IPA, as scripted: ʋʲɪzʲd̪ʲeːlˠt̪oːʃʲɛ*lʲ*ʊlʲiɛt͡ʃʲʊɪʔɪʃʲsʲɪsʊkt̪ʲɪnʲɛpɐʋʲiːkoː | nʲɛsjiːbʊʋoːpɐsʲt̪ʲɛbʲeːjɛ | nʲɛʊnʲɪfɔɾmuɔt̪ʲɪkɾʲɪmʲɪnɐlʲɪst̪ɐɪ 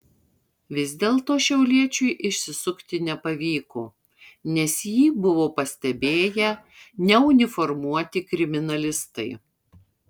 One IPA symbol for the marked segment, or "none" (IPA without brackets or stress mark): none